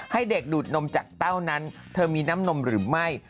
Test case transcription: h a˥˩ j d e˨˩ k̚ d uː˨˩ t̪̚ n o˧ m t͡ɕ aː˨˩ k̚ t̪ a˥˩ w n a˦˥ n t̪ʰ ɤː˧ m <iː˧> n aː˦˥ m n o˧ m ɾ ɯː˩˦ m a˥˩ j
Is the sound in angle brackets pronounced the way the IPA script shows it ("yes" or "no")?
yes